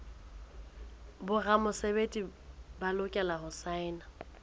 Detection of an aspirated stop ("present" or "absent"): absent